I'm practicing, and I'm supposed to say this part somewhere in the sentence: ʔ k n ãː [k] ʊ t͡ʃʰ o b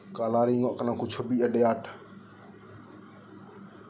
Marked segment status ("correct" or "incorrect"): correct